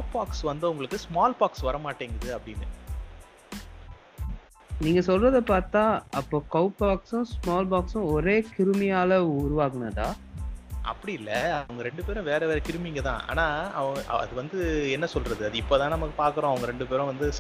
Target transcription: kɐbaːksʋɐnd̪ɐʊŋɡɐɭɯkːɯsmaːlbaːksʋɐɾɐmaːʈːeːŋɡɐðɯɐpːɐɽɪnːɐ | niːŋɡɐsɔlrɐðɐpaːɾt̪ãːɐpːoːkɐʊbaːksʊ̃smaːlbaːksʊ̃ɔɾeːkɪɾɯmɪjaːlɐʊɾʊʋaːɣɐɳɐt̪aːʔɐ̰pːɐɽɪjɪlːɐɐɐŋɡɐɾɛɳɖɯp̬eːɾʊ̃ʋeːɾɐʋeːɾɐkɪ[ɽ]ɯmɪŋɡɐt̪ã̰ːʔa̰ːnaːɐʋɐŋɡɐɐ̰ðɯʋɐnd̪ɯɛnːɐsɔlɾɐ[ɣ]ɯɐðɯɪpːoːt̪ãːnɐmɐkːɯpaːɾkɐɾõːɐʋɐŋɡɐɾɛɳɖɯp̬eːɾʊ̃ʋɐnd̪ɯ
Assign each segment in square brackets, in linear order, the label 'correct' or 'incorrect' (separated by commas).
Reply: incorrect, incorrect